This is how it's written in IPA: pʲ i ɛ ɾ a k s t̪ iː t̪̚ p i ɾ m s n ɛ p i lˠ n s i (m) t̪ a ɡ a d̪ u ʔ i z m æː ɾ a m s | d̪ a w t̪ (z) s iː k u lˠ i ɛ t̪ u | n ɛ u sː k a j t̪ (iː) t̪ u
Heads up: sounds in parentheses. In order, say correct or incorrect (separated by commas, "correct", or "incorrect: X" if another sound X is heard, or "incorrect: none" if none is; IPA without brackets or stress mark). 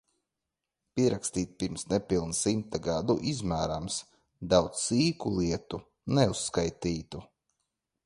correct, incorrect: s, correct